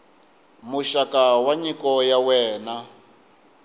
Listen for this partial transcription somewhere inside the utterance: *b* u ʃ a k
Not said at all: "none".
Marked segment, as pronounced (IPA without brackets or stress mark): m